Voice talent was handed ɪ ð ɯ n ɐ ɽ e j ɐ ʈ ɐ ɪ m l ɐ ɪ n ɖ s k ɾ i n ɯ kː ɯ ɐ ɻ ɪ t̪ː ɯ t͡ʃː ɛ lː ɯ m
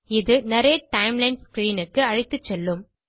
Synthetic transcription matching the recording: ɪ ð ɯ n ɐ ɾ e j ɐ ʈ ɐ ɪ m l ɐ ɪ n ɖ s k ɾ iː n ɯ kː ɯ ɐ ɻ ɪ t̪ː ɯ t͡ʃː ɛ lː ɯ m

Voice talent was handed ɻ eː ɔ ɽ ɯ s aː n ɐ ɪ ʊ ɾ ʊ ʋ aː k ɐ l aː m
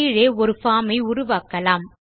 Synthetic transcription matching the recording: ɻ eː ɔ ɾ ɯ f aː m ɐ ɪ ʊ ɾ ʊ ʋ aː k ɐ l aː m

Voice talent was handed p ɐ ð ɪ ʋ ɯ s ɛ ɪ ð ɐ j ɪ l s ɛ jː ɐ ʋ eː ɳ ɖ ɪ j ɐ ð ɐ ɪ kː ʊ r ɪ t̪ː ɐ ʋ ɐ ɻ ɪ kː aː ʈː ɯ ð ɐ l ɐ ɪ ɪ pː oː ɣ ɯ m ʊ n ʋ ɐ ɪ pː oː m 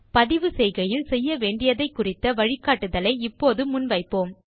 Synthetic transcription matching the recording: p ɐ ð ɪ ʋ ɯ s ɛ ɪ ɣ ɐ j ɪ l s ɛ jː ɐ ʋ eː ɳ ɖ ɪ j ɐ ð ɐ ɪ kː ʊ r ɪ t̪ː ɐ ʋ ɐ ɻ ɪ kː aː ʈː ɯ ð ɐ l ɐ ɪ ɪ pː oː ð ɯ m ʊ n ʋ ɐ ɪ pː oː m

